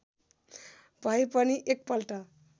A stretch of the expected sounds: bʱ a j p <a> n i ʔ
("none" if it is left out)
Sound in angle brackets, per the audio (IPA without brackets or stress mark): ʌ